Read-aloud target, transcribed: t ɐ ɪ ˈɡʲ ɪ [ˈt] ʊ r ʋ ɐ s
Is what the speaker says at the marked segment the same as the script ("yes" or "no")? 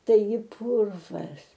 no